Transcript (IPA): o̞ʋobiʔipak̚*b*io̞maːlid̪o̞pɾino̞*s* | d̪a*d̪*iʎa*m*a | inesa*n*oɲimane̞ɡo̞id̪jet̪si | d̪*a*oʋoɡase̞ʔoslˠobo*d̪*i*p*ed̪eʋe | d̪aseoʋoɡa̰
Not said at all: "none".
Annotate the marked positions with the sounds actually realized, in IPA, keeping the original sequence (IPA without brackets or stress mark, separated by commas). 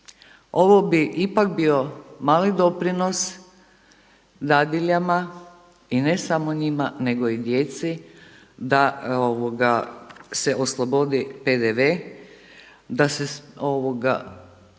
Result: b, s, d̪, m, m, a, d̪, p